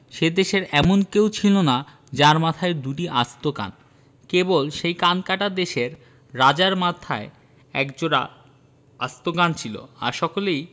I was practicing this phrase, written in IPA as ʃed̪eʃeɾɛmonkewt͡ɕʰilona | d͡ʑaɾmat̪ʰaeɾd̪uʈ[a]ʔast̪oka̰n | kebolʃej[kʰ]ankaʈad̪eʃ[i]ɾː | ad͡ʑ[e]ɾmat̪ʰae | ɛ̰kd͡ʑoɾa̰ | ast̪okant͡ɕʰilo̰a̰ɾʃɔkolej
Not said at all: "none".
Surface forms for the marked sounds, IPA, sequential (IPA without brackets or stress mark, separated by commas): i, k, e, a